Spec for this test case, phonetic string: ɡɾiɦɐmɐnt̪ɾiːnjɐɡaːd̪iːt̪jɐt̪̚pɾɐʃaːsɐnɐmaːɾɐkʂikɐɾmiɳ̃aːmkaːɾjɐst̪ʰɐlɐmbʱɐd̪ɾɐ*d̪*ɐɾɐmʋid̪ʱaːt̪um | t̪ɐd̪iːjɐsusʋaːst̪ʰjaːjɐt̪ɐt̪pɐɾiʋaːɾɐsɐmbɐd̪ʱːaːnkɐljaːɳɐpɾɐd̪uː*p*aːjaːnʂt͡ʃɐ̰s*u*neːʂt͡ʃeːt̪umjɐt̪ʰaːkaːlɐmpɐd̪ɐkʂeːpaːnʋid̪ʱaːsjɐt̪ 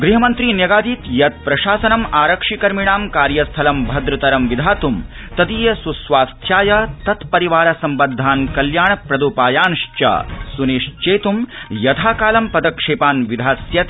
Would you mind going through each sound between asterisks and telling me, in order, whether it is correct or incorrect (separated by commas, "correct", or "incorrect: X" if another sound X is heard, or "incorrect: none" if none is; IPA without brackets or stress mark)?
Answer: incorrect: t̪, correct, correct